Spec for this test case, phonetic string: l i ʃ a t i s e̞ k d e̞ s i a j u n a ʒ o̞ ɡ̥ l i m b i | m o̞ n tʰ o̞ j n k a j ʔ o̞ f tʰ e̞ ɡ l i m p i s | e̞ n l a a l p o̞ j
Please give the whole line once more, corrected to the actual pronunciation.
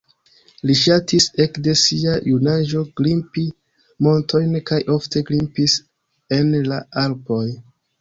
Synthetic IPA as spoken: l i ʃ a t i s e̞ k d e̞ s i a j u n a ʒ o̞ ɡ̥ l i m p i | m o̞ n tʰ o̞ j n k a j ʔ o̞ f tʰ e̞ ɡ l i m p i s | e̞ n l a a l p o̞ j

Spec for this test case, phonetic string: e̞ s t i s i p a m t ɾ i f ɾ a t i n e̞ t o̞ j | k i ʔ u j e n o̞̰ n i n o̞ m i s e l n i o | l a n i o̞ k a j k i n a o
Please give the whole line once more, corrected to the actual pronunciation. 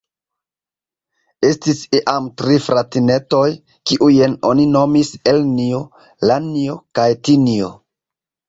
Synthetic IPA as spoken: e̞ s t i s i ʔ a m t ɾ i f ɾ a t i n e̞ t o̞ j | k i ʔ u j e n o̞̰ n i n o̞ m i s e l n i o | l a n i o̞ k a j t i n i o

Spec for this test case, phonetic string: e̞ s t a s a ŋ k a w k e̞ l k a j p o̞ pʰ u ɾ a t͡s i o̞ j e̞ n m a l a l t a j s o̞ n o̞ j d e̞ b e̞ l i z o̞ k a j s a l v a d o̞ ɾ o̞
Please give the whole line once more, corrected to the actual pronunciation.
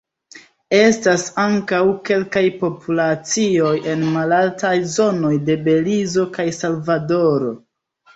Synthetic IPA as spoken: e̞ s t a s a ŋ k a w k e̞ l k a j p o̞ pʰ u l a t͡s i o̞ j e̞ n m a l a l t a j z o̞ n o̞ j d e̞ b e̞ l i z o̞ k a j s a l v a d o̞ ɾ o̞

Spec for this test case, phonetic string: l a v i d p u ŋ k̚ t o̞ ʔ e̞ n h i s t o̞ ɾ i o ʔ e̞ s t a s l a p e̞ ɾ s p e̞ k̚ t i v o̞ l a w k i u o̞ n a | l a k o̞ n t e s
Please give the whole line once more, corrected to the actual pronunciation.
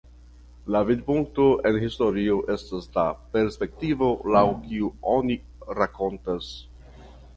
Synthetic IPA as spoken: l a v i d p u ŋ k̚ t o̞ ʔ e̞ n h i s t o̞ ɾ i o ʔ e̞ s t a s l a p e̞ ɾ s p e̞ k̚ t i v o̞ l a w k i u o̞ n i | ɾ a k o̞ n t a s

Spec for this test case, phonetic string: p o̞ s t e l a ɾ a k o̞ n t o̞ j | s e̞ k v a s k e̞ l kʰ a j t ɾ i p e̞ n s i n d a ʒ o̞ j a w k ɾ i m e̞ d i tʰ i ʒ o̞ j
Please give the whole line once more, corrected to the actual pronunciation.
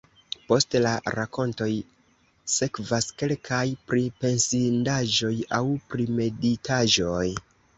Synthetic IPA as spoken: p o̞ s t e l a ɾ a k o̞ n t o̞ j | s e̞ k v a s k e̞ l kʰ a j p ɾ i p e̞ n s i n d a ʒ o̞ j a w p ɾ i m e̞ d i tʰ a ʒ o̞ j

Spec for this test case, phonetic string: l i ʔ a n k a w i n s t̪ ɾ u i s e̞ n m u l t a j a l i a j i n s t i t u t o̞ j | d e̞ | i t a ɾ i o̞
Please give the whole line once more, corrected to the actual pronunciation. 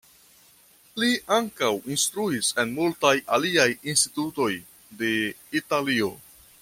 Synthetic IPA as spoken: l i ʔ a ŋ k a w i n s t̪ ɾ u i s e̞ n m u l t a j a l i a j i n s t i t u t o̞ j | d e̞ | i t a l i o̞

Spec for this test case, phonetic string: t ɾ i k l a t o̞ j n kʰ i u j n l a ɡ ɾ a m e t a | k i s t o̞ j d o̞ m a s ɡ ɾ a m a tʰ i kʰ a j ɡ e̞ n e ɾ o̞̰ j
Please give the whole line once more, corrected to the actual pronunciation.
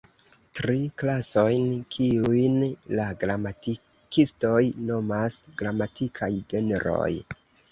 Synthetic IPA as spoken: t ɾ i k l a s o̞ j n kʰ i u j n l a ɡ ɾ a m a t i | k i s t o̞ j n o̞ m a s ɡ ɾ a m a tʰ i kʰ a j ɡ e̞ n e ɾ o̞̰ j

